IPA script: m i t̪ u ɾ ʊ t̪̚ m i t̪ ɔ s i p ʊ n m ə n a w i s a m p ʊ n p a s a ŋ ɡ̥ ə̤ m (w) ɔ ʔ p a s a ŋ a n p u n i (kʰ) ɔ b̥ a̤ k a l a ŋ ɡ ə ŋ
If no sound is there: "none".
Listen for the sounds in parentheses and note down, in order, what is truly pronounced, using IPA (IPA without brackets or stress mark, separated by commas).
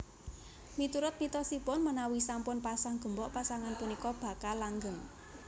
b, k